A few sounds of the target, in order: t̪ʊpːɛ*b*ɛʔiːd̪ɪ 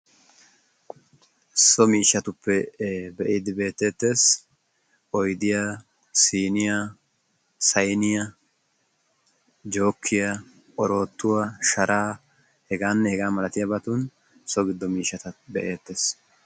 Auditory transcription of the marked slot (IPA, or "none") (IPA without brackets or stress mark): b